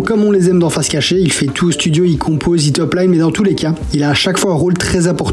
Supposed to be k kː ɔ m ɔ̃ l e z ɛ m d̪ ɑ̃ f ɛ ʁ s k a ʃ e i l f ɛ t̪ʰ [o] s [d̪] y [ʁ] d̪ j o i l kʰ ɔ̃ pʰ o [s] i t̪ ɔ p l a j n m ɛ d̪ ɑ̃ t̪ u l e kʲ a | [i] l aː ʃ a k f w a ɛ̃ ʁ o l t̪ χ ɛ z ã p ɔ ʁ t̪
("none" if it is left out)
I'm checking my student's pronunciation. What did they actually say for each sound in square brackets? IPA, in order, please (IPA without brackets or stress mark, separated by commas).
u, t̪, none, z, i